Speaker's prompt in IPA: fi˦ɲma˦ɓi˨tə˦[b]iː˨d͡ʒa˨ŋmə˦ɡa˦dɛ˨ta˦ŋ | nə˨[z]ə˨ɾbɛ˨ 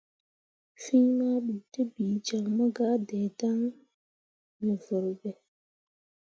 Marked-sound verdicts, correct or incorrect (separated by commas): correct, incorrect